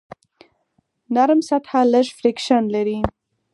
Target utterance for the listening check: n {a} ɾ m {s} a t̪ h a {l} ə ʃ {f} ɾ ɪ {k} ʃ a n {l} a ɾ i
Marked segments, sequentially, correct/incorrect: correct, correct, correct, correct, correct, correct

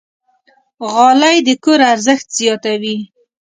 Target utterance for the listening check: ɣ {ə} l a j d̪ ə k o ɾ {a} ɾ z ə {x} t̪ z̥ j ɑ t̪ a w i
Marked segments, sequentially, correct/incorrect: incorrect: ɑ, correct, correct

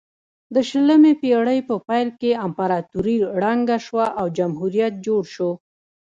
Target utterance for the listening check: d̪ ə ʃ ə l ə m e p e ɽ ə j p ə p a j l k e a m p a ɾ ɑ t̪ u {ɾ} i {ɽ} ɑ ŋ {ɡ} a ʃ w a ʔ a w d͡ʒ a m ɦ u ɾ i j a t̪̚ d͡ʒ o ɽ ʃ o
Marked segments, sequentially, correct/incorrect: correct, correct, correct

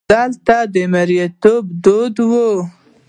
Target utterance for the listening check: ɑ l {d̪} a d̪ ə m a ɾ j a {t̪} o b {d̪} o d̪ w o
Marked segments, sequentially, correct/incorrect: incorrect: t̪, correct, correct

